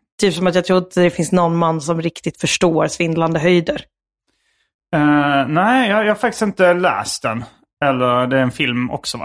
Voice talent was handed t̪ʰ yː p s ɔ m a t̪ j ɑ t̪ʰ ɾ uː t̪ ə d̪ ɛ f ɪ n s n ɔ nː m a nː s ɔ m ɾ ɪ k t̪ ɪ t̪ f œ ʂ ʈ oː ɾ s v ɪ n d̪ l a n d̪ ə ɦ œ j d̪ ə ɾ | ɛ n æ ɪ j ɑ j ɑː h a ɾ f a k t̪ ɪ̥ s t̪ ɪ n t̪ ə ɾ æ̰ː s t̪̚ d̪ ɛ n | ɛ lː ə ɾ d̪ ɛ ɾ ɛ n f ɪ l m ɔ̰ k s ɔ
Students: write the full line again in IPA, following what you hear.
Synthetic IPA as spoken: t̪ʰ yː p s ɔ m a t̪ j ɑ t̪ʰ ɾ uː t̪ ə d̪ ɛ f ɪ n s n ɔ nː m a nː s ɔ m ɾ ɪ k t̪ ɪ t̪ f œ ʂ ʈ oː ɾ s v ɪ n d̪ l a n d̪ ə ɦ œ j d̪ ə ɾ | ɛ n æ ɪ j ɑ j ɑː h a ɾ f a k t̪ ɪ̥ s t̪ ɪ n t̪ ə l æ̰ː s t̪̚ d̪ ɛ n | ɛ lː ə ɾ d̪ ɛ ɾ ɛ n f ɪ l m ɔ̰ k s ɔ